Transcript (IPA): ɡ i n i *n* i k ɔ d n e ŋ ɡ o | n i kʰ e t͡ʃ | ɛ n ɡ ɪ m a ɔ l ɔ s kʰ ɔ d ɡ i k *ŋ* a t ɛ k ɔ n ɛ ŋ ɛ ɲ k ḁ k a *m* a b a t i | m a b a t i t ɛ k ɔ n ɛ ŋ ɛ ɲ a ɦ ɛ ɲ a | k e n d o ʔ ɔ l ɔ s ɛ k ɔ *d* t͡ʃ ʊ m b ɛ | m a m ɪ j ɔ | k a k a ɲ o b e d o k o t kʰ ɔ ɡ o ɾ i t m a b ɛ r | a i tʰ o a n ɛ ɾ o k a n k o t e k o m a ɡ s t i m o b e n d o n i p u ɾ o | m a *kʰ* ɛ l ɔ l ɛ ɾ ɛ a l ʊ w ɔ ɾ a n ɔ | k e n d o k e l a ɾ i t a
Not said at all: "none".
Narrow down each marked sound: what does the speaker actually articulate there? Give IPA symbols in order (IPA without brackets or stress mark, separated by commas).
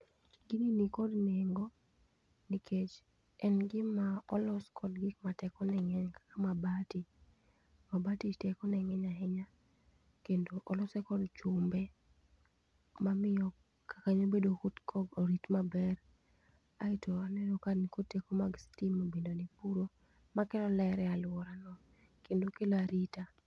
n, m, m, d, k